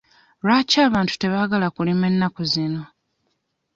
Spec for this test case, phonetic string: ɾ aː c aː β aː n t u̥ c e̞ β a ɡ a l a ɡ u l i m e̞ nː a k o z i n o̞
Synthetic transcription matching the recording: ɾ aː c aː β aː n t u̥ t e̞ β a ɡ a l a k u l i m e̞ nː a k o z i n o̞

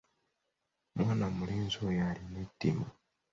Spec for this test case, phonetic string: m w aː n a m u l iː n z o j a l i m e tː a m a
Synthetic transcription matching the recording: m w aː n a m u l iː n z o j a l i n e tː i m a

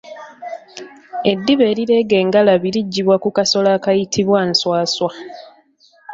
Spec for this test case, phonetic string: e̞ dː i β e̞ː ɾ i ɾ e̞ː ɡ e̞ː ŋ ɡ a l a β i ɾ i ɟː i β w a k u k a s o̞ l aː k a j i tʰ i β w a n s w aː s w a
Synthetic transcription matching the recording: e̞ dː i β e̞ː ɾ i ɾ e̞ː ɡ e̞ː ŋ ɡ a l a β i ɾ i ɟː i β w a k u k a s o̞ l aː k a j i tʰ i β w a n s w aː s w a

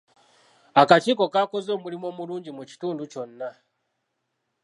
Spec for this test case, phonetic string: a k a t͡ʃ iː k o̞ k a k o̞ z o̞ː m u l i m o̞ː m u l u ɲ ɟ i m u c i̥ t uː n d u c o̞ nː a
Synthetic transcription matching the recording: a k a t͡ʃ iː k o̞ k a k o̞ z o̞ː m u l i m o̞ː m u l uː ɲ ɟ i m u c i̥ t uː n d u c o̞ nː a

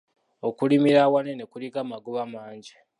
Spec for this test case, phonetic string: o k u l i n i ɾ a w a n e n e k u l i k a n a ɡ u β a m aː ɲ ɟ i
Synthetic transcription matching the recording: o k u l i m i ɾ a w a n e n e k u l i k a m a ɡ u β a m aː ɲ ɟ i

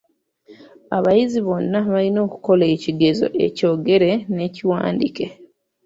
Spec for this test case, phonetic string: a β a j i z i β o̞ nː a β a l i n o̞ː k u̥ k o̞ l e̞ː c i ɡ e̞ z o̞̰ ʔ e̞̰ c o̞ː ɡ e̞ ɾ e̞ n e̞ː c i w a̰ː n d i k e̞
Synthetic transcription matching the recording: a β a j i z i β o̞ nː a β a l i n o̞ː k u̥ k o̞ l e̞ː c i ɡ e̞ z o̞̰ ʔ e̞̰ c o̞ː ɡ e̞ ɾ e̞ n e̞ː c i w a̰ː n d i k e̞

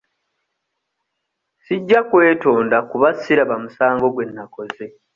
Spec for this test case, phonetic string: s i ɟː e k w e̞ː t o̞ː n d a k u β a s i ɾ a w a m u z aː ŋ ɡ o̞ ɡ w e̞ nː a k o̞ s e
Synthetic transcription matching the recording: s i ɟː a k w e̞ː t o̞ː n d a k u β a s i ɾ a β a m u s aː ŋ ɡ o̞ ɡ w e̞ nː a k o̞ z e

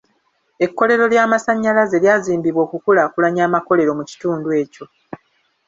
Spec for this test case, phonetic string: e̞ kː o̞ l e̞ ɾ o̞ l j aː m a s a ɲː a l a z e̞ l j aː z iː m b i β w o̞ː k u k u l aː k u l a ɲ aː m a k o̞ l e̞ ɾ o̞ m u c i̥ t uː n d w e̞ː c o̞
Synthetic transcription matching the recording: e̞ kː o̞ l e̞ ɾ o̞ l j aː m a s a ɲː a l a z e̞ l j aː z iː m b i β w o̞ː k u k u l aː k u l a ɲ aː m a k o̞ l e̞ ɾ o̞ m u c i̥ t uː n d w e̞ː c o̞

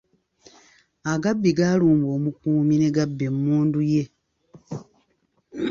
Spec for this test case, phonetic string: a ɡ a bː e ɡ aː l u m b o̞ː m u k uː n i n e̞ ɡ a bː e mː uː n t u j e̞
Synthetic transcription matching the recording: a ɡ a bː i ɡ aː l uː m b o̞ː m u k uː m i n e̞ ɡ a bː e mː uː n d u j e̞

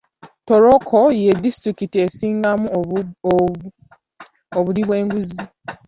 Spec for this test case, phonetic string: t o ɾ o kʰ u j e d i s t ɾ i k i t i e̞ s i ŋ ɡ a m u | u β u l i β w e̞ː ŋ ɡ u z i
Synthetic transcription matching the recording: t o ɾ o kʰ o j e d i s t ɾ i k i t i e̞ s iː ŋ ɡ a m u | o β u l i β w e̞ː ŋ ɡ u z i

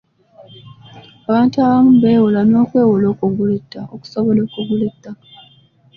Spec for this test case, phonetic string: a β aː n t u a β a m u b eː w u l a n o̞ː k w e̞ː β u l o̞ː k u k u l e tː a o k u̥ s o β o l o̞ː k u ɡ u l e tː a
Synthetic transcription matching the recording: a β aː n t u a β a m u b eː w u l a n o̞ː k w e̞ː w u l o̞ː k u ɡ u l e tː a o k u̥ s o β o l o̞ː k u ɡ u l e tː a

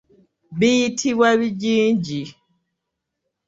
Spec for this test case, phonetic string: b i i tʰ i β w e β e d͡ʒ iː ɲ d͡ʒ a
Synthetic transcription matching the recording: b i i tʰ i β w a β i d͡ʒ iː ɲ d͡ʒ i

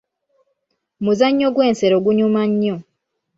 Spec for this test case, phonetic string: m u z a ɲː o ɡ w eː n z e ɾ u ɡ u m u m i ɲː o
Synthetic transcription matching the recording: m u z a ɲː o ɡ w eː n s e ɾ o ɡ u ɲ u m a ɲː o

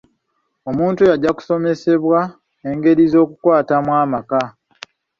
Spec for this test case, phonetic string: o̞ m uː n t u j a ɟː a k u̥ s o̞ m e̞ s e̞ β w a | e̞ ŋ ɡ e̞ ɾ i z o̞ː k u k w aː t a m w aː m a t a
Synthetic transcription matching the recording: o̞ m uː n t u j a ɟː a k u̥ s o̞ m e̞ s e̞ β w a | e̞ ŋ ɡ e̞ ɾ i z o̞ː k u k w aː t a m w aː m a k a

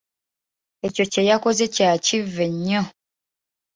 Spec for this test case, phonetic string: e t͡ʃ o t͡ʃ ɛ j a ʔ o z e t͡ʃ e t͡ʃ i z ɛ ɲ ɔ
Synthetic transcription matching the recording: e t͡ʃ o t͡ʃ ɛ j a k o z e t͡ʃ a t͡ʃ i v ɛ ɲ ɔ

